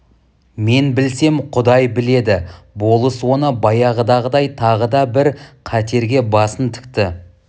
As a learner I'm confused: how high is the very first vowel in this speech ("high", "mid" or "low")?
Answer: mid